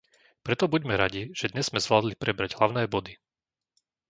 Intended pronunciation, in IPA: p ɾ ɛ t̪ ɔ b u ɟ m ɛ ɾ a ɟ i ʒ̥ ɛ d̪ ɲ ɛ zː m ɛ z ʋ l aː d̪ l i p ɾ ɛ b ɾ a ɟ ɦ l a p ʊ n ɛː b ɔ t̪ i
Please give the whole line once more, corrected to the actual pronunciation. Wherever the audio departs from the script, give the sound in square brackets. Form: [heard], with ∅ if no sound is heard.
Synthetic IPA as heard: p ɾ ɛ t̪ ɔ b u ɟ m ɛ ɾ a ɟ i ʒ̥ ɛ d̪ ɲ ɛ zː m ɛ z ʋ l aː d̪ l i p ɾ ɛ b ɾ a ɟ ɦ l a [∅] ʊ n ɛː b ɔ [d̪] i